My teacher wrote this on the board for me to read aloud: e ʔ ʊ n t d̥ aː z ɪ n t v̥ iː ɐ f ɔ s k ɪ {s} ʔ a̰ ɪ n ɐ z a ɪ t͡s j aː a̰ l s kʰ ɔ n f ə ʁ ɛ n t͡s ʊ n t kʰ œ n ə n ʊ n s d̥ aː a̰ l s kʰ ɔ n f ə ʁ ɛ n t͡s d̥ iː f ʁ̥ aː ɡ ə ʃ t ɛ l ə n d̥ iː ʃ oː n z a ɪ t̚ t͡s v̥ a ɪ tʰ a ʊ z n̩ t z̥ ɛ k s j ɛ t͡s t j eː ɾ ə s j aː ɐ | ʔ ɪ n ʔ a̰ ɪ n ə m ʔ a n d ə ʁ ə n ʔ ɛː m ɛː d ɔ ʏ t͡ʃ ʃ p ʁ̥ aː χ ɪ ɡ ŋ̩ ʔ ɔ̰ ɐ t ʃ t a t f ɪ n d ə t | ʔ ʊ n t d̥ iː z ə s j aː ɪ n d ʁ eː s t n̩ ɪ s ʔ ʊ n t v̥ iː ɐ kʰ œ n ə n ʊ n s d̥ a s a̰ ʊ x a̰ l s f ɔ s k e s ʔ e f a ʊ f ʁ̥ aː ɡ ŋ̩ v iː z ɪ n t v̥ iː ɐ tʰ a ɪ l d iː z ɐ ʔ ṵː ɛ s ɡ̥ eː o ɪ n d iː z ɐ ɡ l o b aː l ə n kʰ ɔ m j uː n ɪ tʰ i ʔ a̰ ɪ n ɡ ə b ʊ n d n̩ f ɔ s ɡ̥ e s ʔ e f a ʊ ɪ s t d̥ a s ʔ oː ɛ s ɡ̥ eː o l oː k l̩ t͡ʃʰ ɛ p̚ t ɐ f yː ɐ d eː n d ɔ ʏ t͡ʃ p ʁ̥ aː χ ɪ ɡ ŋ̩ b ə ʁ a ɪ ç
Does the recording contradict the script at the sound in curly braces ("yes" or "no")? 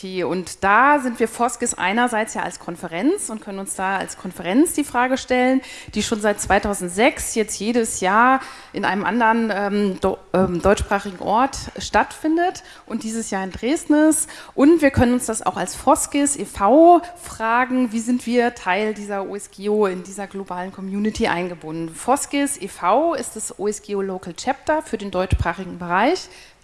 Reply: no